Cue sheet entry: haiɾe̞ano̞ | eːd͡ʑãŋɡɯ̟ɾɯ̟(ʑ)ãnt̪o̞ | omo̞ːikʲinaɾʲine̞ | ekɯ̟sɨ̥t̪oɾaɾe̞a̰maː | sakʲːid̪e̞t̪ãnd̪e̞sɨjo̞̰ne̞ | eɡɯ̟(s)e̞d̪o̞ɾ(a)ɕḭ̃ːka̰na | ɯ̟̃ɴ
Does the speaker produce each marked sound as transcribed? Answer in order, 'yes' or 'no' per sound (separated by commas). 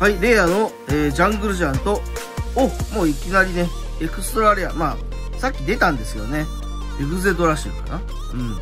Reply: yes, no, yes